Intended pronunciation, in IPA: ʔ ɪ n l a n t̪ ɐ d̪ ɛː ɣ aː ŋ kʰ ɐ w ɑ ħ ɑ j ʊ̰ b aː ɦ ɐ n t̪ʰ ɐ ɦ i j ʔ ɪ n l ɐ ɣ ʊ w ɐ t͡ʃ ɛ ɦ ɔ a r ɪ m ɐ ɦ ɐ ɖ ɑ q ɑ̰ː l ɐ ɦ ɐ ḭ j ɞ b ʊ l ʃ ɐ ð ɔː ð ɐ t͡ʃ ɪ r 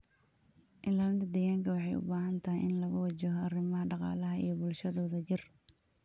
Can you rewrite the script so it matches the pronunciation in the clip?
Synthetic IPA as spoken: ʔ ɪ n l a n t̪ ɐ d̪ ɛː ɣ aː ŋ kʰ ɐ w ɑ ħ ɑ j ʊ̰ b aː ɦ ɐ n t̪ʰ ɐ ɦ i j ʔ ɪ n l ɐ ɣ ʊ w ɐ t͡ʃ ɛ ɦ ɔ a r ɪ m ɐ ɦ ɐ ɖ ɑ q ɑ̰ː l ɐ ɦ ɐ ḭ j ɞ b ʊ l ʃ ɐ ð ɔː ð ɐ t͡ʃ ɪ r